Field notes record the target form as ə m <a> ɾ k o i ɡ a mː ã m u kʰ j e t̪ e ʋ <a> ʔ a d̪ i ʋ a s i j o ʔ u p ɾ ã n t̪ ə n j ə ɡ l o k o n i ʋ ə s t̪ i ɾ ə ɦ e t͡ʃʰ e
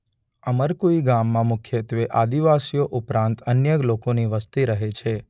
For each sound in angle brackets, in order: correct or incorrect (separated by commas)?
incorrect, incorrect